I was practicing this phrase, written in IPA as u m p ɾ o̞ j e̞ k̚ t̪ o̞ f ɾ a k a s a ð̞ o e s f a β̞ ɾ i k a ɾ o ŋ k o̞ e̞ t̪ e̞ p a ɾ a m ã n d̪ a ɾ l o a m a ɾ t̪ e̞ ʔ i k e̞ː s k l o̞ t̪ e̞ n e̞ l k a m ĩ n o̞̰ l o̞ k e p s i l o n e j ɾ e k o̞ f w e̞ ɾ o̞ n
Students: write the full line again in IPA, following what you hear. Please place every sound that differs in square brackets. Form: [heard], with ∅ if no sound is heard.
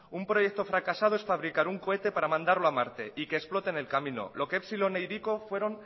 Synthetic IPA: u m p ɾ o̞ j e̞ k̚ t̪ o̞ f ɾ a k a s a ð̞ o e s f a β̞ ɾ i k a ɾ [u] ŋ k o̞ e̞ t̪ e̞ p a ɾ a m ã n d̪ a ɾ l o a m a ɾ t̪ e̞ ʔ i k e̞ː s [p] l o̞ t̪ e̞ n e̞ l k a m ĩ n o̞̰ l o̞ k e p s i l o n e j ɾ [i] k o̞ f w e̞ ɾ o̞ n